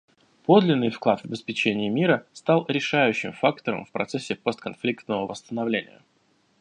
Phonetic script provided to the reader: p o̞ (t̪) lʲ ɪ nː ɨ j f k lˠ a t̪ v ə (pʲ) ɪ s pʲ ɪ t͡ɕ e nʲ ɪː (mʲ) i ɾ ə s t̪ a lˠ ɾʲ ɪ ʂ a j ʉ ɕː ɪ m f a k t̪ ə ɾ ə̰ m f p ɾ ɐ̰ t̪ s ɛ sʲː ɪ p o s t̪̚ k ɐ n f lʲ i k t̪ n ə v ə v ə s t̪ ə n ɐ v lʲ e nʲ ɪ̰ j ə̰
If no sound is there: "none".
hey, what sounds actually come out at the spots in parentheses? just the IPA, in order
d̪, bʲ, mʲ

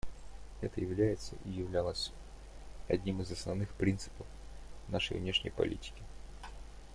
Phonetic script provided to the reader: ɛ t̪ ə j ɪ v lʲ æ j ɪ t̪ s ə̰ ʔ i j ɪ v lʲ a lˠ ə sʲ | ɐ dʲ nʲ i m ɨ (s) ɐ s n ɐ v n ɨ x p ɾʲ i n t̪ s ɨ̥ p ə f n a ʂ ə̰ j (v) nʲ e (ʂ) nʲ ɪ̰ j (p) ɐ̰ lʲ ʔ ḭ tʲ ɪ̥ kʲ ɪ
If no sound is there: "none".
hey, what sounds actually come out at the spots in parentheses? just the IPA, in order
z, v, ʂ, p

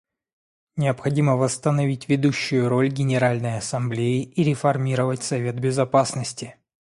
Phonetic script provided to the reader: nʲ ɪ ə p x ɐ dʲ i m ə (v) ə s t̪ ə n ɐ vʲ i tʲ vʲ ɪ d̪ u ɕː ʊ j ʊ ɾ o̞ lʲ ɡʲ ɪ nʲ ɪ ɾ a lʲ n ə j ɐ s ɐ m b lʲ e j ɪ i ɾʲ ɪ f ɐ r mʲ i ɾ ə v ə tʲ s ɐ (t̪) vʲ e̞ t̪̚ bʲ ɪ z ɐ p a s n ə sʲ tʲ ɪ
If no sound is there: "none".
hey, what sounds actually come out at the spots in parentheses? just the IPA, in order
v, none

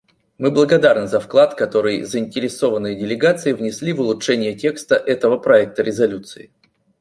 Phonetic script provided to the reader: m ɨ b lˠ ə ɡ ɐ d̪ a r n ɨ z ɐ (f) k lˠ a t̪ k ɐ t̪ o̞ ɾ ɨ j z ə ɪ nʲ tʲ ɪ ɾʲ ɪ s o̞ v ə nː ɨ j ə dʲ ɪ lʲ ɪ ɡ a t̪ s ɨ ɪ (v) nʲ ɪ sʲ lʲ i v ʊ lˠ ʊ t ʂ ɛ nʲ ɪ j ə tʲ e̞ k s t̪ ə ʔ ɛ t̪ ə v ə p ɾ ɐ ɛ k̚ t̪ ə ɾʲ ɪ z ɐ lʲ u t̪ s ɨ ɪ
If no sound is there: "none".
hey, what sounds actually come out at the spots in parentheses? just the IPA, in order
f, v

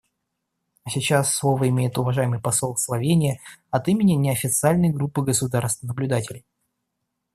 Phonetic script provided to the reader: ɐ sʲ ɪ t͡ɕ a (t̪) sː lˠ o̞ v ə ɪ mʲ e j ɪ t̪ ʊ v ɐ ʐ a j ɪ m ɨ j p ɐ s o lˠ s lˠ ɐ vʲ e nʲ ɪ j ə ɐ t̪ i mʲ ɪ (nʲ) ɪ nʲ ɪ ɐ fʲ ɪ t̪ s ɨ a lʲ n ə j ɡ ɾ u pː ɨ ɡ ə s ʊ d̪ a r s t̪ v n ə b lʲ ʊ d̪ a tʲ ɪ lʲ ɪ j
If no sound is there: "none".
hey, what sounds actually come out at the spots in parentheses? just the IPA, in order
none, nʲ

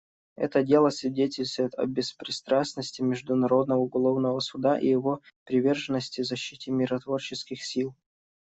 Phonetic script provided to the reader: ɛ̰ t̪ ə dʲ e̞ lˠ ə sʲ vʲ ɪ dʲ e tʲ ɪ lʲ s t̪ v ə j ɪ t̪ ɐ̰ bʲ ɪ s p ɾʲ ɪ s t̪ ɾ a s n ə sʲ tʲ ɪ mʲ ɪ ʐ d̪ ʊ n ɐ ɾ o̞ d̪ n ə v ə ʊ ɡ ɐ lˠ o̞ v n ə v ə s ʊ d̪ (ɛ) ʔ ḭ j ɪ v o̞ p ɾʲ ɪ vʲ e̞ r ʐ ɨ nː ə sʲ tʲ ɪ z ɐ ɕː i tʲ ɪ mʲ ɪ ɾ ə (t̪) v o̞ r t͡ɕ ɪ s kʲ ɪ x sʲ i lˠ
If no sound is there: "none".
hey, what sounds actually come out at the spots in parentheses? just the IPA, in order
a, t̪

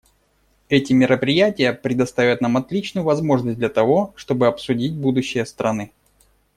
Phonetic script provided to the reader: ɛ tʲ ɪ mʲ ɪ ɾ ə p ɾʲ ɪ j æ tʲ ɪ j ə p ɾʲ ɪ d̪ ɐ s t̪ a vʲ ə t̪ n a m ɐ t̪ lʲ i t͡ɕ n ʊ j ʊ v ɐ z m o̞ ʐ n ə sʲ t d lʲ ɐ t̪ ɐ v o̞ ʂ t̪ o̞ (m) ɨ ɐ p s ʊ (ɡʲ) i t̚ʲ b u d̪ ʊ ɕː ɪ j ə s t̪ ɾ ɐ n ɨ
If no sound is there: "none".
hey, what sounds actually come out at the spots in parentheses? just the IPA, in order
b, dʲ

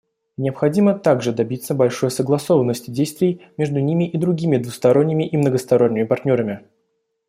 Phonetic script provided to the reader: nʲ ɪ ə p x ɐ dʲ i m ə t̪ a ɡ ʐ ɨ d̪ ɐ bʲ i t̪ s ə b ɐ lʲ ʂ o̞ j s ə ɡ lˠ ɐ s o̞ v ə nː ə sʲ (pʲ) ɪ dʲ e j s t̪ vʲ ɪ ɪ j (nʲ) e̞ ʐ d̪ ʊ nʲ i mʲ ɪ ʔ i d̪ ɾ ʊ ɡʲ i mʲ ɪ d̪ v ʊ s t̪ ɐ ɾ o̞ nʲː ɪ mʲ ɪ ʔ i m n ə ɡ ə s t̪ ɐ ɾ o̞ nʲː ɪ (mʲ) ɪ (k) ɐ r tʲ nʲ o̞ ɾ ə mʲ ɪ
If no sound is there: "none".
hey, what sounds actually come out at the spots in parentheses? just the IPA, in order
tʲ, mʲ, mʲ, p

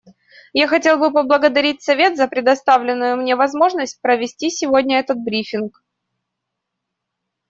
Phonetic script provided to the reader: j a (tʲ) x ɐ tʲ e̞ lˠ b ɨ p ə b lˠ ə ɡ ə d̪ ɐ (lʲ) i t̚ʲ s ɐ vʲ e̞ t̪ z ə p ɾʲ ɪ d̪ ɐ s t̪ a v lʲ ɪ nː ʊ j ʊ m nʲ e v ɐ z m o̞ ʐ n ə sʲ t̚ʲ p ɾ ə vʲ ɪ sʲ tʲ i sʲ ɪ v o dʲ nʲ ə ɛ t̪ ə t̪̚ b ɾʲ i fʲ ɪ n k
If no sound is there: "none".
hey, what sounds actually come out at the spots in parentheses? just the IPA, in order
none, ɾʲ

